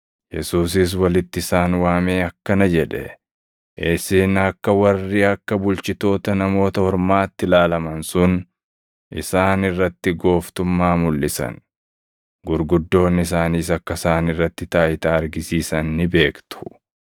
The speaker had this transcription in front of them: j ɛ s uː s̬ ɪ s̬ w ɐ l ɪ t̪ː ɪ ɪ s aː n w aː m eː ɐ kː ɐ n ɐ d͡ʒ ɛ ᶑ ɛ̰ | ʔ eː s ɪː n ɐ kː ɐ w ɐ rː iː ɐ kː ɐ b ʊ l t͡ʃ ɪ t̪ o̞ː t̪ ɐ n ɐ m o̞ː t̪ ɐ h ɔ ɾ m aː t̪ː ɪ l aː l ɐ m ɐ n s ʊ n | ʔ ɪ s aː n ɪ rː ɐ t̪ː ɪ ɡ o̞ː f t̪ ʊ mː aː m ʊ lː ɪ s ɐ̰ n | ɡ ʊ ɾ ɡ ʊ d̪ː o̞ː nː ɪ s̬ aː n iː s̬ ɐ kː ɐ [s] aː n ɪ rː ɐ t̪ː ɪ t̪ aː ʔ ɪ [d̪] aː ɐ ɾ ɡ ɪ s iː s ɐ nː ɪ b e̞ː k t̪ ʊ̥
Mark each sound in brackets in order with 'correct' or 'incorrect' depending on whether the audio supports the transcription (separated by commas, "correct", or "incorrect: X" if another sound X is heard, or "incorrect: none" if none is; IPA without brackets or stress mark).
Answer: correct, incorrect: t̪